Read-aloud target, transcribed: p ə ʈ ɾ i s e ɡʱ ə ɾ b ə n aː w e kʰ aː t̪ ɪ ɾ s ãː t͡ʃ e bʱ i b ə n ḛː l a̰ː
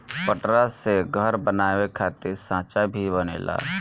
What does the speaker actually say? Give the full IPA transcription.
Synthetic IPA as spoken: p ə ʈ ɾ a s e ɡʱ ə ɾ b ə n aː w e kʰ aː t̪ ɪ ɾ s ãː t͡ʃ a bʱ i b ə n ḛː l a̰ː